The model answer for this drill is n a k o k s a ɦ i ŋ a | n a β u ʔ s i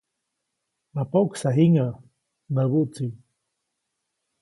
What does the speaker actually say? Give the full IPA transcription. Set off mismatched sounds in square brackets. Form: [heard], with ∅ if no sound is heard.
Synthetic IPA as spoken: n a [p] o k s a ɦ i ŋ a | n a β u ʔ [t͡s] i